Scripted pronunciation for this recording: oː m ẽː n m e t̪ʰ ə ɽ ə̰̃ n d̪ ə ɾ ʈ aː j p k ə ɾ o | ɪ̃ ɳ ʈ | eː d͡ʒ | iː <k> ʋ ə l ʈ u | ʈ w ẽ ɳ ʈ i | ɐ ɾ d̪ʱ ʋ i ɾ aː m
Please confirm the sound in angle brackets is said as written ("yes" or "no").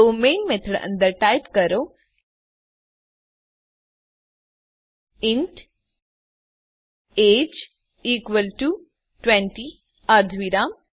yes